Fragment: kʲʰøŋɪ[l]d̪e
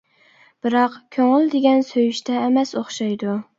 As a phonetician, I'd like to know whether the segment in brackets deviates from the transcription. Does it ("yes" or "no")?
no